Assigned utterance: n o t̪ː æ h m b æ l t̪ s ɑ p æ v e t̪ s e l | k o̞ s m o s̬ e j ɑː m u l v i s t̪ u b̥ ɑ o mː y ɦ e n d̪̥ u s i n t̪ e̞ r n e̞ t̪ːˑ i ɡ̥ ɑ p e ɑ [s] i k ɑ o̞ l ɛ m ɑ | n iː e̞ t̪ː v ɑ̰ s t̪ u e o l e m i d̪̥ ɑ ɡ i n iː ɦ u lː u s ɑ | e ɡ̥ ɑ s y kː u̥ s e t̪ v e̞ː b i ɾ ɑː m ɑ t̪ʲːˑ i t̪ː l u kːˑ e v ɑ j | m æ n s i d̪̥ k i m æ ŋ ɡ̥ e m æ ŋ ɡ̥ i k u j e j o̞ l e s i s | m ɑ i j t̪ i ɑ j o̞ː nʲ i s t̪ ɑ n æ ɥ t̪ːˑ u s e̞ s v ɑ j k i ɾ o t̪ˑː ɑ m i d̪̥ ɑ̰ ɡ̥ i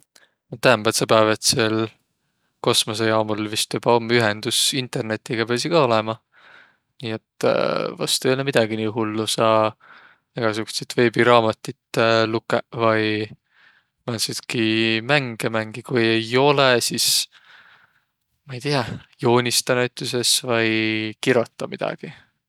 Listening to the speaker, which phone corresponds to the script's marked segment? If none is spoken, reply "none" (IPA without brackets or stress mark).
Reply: s